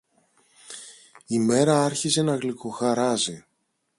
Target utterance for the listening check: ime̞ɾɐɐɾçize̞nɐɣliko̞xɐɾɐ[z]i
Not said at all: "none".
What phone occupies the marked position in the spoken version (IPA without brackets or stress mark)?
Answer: z